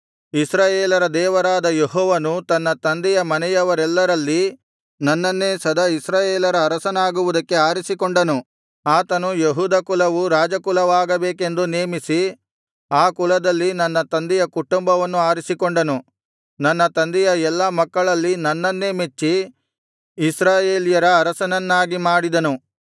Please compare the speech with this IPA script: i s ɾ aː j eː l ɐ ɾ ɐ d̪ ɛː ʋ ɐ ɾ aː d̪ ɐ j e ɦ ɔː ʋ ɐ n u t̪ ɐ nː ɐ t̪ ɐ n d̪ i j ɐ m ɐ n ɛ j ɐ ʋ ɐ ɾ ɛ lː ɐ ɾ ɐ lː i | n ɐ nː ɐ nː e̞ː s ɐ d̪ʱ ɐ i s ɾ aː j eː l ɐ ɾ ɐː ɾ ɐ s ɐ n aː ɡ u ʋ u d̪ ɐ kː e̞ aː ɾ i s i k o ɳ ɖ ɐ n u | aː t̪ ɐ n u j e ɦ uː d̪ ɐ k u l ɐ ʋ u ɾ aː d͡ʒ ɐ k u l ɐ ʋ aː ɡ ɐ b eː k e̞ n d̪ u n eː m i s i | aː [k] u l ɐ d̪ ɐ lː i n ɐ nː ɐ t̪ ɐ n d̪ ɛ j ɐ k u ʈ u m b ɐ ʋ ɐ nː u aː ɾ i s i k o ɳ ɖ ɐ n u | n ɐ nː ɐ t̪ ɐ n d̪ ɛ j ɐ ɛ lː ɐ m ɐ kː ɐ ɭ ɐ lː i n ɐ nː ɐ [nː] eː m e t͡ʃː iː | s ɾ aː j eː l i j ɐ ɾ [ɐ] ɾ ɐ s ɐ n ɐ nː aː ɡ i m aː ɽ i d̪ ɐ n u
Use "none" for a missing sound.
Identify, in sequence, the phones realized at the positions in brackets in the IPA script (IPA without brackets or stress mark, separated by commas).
k, nː, ɐː